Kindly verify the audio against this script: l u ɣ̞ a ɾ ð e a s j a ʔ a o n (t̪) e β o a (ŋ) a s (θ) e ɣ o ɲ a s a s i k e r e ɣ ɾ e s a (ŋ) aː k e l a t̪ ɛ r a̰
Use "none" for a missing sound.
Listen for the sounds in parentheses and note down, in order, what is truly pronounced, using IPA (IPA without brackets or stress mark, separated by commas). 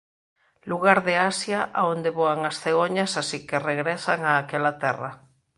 d̪, ŋ, θ, ŋ